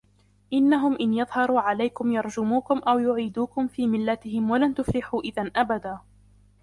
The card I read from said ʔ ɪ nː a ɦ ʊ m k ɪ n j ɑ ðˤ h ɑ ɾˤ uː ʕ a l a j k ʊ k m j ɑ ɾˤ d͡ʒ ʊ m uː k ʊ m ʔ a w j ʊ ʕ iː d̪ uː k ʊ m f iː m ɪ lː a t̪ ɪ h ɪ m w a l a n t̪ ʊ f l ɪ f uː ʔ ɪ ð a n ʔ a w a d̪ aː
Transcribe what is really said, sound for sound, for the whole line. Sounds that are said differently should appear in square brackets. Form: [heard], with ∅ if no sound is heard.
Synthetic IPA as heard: ʔ ɪ nː a ɦ ʊ m [ʔ] ɪ n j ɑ ðˤ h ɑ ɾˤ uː ʕ a l a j k ʊ [∅] m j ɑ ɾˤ d͡ʒ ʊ m uː k ʊ m ʔ a w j ʊ ʕ iː d̪ uː k ʊ m f iː m ɪ lː a t̪ ɪ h ɪ m w a l a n t̪ ʊ f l ɪ [ħ] uː ʔ ɪ ð a n ʔ a [b] a d̪ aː

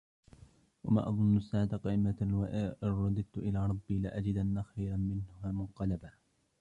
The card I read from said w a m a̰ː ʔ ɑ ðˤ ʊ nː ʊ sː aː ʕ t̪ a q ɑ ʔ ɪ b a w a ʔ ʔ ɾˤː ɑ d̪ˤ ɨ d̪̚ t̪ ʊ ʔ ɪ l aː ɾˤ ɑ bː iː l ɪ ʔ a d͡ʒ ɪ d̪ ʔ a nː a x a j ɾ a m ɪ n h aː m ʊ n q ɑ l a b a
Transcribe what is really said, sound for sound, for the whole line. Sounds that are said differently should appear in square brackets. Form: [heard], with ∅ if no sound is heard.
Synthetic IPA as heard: w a m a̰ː ʔ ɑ ðˤ ʊ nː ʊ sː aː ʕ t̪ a q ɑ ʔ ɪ [m] a w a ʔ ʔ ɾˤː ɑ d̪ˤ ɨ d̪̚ t̪ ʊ ʔ ɪ l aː ɾˤ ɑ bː iː l ɪ ʔ a d͡ʒ ɪ d̪ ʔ a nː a x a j ɾ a m ɪ n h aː m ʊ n q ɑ l a b a

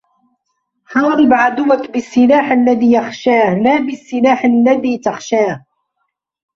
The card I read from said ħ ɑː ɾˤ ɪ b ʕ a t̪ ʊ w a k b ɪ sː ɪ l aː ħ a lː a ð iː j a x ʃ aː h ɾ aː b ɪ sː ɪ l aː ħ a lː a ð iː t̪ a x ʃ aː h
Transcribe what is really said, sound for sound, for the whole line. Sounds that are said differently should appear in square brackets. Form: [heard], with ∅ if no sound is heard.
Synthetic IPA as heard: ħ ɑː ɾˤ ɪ b ʕ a [d̪] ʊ w a k b ɪ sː ɪ l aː ħ a lː a ð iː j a x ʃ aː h [l] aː b ɪ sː ɪ l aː ħ a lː a ð iː t̪ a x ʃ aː h

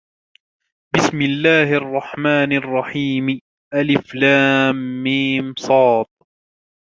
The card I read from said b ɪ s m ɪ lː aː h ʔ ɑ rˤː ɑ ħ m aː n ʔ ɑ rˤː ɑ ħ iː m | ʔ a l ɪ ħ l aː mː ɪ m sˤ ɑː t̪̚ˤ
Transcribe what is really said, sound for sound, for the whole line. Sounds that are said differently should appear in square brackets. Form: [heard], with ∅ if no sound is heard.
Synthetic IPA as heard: b ɪ s m ɪ lː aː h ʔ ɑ rˤː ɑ ħ m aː n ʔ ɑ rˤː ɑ ħ iː m | ʔ a l ɪ [f] l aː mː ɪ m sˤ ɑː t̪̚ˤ

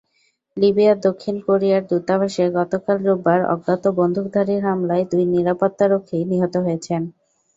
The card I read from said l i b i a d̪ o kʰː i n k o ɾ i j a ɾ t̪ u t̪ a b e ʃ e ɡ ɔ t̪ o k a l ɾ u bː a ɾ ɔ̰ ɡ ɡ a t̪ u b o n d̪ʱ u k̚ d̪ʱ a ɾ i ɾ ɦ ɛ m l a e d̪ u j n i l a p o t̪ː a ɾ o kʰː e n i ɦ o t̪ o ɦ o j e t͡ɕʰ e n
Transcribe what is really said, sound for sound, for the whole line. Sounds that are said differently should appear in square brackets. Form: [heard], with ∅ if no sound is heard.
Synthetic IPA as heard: l i b i a d̪ o kʰː i n k o ɾ i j a ɾ [d̪] u t̪ a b [a] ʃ e ɡ ɔ t̪ o k a l ɾ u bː a ɾ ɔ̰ ɡ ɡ a t̪ [o] b o n d̪ʱ u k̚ d̪ʱ a ɾ i ɾ ɦ [a] m l a e d̪ u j n i [ɾ] a p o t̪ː a ɾ o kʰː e n i ɦ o t̪ o ɦ o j e t͡ɕʰ e n

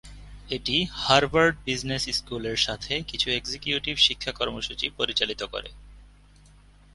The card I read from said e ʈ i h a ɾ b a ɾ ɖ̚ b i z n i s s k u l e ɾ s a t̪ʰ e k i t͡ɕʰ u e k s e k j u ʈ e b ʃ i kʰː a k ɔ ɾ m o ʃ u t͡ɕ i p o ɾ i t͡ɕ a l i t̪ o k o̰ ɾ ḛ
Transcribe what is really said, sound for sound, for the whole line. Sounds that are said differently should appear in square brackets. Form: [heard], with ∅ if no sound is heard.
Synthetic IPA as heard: e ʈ i h a ɾ b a ɾ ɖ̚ b i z n [e] s s k u l e ɾ [ʃ] a t̪ʰ e k i t͡ɕʰ u e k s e k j u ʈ [i] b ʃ i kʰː a k ɔ ɾ m o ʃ u t͡ɕ i p o ɾ i t͡ɕ a l i t̪ o k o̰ ɾ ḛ

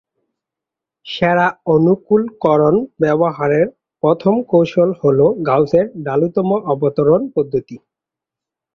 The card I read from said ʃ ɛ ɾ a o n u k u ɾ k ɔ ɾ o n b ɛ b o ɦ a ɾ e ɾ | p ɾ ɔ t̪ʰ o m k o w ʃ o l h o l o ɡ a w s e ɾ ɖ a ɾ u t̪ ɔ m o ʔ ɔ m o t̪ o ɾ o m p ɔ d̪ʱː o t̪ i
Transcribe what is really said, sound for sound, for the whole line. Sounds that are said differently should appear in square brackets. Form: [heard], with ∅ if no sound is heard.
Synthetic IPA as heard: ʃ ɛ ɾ a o n u k u [l] k ɔ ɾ o n b ɛ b o ɦ a ɾ e ɾ | p ɾ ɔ t̪ʰ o m k o w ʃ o l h o l o ɡ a w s e ɾ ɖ a [l] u t̪ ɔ m o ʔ ɔ [b] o t̪ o ɾ o [n] p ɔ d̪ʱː o t̪ i

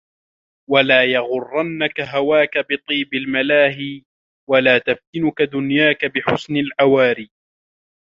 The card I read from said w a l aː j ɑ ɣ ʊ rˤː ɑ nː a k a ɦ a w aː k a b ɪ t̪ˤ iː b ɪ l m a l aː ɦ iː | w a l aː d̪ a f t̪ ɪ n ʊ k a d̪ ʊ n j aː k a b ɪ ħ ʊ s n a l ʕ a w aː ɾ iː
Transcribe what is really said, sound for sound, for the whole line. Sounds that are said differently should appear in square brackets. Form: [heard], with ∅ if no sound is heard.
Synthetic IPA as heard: w a l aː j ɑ ɣ ʊ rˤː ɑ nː a k a ɦ a w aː k a b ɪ t̪ˤ iː b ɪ l m a l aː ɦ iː | w a l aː [t̪] a f t̪ ɪ n ʊ k a d̪ ʊ n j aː k a b ɪ ħ ʊ s n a l ʕ a w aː ɾ iː

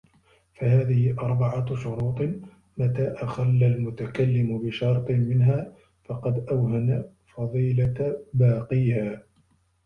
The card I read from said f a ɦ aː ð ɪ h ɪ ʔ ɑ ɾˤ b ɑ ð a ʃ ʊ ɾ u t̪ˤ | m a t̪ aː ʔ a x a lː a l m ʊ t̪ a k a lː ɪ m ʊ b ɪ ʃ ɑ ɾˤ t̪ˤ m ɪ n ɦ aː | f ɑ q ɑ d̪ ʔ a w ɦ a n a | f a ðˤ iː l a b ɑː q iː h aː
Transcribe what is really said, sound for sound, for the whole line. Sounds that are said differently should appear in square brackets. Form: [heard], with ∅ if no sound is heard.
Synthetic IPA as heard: f a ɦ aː ð ɪ h ɪ ʔ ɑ ɾˤ b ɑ [ʕ] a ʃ ʊ ɾ [uː] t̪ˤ | m a t̪ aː ʔ a x a lː a l m ʊ t̪ a k a lː ɪ m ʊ b ɪ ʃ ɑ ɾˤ t̪ˤ m ɪ n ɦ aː | f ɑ q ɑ d̪ ʔ a w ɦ a n a | f [ɑ] ðˤ iː l a b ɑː q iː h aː

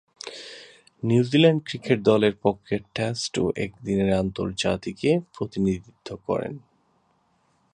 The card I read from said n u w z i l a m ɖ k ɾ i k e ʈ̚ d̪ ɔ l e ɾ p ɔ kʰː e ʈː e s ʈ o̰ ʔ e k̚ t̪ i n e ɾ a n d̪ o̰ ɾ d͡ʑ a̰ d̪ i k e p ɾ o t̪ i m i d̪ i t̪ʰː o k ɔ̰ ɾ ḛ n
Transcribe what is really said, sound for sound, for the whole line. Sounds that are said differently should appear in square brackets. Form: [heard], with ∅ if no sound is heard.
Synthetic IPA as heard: n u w z i l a [ɳ] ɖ k ɾ i k e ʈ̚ d̪ ɔ l e ɾ p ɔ kʰː e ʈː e s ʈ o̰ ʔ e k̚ [d̪] i n e ɾ a n [t̪] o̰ ɾ d͡ʑ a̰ [t̪] i k e p ɾ o t̪ i [n] i d̪ i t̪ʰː o k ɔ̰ ɾ ḛ n

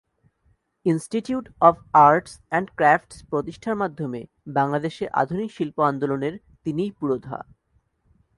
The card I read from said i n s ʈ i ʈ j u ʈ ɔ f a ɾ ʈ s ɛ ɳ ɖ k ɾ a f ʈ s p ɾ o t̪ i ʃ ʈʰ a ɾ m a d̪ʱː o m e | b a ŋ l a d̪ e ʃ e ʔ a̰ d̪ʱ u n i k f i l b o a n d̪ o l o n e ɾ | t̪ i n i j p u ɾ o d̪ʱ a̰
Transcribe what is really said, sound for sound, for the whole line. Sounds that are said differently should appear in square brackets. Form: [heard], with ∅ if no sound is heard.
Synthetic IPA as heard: i n s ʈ i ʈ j u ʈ ɔ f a ɾ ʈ s ɛ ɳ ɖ k ɾ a f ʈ s p ɾ o t̪ i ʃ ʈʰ a ɾ m a d̪ʱː o m e | b a ŋ l a d̪ e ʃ e ʔ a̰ d̪ʱ u n i k [ʃ] i l [p] o a n d̪ o l o n e ɾ | t̪ i n i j p u ɾ o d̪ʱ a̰

